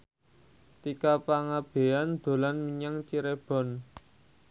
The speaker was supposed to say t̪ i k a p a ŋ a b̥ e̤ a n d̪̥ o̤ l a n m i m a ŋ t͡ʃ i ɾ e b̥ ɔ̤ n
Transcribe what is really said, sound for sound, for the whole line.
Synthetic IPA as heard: t̪ i k a p a ŋ a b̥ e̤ a n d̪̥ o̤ l a n m i ɲ a ŋ t͡ʃ i ɾ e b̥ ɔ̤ n